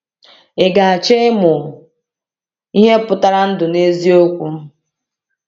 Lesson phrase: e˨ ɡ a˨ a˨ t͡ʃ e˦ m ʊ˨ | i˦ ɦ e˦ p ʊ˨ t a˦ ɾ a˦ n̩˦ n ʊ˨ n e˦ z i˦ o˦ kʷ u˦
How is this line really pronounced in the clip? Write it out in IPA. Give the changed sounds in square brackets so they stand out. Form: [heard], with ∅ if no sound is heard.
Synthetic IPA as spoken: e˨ ɡ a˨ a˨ t͡ʃ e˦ m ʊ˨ | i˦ ɦ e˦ p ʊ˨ t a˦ ɾ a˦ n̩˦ [d] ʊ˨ n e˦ z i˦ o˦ kʷ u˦